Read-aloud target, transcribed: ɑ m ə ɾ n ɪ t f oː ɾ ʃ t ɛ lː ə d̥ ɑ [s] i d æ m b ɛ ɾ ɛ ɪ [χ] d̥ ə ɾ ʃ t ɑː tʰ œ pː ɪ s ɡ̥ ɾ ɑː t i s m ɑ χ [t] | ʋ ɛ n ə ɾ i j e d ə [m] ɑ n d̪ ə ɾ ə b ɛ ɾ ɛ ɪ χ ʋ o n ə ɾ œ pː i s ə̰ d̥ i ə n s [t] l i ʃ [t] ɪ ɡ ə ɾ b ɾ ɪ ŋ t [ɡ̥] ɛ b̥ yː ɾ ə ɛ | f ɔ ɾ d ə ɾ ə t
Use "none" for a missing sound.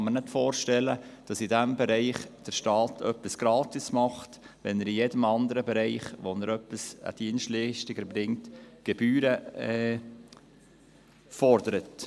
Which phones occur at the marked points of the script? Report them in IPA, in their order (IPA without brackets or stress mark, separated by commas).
s, χ, t, m, t, t, ɡ̥